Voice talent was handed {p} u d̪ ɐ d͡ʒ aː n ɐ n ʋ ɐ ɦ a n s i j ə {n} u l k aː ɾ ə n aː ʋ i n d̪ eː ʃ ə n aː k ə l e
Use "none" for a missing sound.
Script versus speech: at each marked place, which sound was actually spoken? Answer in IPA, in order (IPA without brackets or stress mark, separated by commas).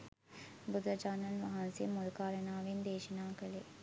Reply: b, m